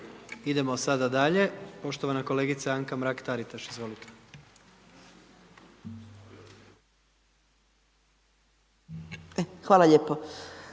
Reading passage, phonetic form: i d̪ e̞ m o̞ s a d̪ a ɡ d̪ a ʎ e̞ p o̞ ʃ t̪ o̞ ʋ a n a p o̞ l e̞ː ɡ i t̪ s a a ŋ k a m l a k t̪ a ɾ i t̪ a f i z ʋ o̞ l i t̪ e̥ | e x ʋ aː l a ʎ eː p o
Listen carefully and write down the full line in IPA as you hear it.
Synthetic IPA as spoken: i d̪ e̞ m o̞ s a d̪ a d̪ a ʎ e̞ p o̞ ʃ t̪ o̞ ʋ a n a k o̞ l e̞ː ɡ i t̪ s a a ŋ k a m ɾ a k t̪ a ɾ i t̪ a ʃ i z ʋ o̞ l i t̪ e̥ | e x ʋ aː l a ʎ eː p o